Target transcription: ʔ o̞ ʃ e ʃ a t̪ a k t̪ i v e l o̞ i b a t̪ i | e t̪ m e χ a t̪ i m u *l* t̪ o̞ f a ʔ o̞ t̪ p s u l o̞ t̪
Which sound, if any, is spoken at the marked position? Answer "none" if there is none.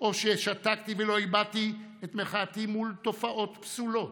l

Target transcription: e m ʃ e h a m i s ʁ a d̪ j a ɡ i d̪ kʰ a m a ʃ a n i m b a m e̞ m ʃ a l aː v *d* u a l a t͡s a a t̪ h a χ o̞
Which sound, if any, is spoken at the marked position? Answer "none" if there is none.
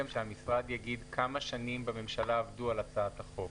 d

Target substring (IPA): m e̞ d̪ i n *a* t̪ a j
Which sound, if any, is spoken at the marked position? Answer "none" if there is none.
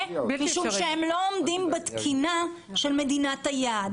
a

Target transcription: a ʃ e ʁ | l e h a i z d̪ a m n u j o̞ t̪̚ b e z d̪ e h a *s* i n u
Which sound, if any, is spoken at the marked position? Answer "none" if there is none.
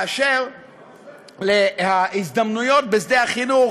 χ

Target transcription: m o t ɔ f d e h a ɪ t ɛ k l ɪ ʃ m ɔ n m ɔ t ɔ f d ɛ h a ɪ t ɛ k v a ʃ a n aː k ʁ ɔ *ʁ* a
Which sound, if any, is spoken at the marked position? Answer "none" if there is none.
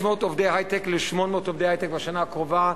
v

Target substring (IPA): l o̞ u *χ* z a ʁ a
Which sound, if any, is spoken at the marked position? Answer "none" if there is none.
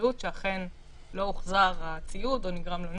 χ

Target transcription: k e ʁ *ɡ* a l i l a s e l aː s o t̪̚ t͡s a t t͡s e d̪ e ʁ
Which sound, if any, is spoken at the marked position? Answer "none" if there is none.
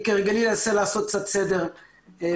ɡ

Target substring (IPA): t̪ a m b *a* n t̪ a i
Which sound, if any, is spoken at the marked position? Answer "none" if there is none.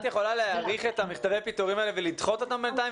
e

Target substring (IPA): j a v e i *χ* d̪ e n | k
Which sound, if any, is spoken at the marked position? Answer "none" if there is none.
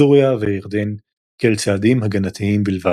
ʁ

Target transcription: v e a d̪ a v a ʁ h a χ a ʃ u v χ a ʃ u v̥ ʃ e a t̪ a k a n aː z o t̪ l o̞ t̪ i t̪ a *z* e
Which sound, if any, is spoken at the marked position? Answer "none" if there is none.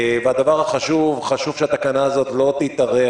ʁ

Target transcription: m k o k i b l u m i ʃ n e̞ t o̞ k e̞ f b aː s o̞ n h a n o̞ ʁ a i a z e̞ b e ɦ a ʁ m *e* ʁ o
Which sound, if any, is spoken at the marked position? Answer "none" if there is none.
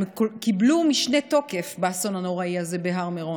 e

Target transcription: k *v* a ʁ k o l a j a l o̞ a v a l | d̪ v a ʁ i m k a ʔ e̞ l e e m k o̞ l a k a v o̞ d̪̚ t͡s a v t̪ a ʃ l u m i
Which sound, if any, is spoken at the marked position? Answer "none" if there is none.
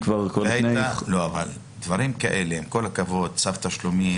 v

